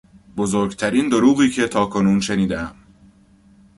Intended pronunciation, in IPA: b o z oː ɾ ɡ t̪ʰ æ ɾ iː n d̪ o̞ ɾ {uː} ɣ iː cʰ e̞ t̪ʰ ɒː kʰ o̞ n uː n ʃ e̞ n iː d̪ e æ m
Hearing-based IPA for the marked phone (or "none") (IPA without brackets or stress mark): uː